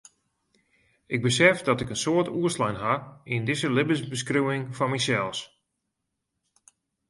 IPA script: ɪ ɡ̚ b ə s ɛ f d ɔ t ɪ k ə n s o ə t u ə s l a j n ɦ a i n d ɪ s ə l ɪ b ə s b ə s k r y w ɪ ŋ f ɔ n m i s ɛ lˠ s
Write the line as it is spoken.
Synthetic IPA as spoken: ɪ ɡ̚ b ə s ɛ f d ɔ t ɪ k ə n s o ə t u ə s l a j n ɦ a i n d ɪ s ə l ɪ b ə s b ə s k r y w ɪ ŋ f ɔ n m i s ɛ lˠ s